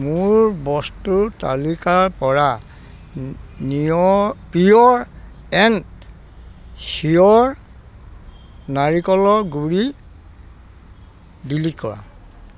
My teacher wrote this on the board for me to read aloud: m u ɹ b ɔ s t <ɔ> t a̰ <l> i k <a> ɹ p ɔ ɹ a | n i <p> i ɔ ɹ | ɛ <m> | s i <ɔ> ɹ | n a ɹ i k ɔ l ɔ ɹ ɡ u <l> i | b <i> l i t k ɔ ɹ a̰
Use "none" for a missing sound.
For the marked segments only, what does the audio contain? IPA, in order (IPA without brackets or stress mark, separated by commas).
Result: u, l, a, p, n, ɔ, ɹ, i